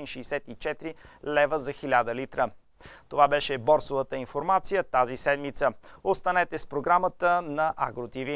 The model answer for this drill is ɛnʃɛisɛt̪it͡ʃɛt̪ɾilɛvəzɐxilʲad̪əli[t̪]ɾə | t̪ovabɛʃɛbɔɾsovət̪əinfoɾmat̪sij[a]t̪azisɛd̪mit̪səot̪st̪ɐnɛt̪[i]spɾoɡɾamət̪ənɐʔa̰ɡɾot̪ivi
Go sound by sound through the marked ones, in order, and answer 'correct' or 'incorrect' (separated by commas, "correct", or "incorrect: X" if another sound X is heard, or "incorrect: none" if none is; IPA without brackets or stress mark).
correct, incorrect: ə, incorrect: ɛ